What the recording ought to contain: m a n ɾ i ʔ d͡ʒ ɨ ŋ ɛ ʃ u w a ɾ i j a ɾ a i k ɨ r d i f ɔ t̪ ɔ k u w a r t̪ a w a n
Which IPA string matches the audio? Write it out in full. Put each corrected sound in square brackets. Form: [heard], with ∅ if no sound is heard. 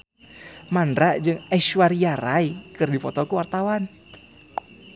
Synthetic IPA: m a n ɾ [a] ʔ d͡ʒ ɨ ŋ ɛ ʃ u w a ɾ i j a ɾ a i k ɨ r d i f ɔ t̪ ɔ k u w a r t̪ a w a n